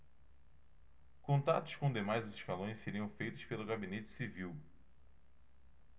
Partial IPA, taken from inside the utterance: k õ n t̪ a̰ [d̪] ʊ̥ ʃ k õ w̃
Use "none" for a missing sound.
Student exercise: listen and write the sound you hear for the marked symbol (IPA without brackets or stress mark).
t̪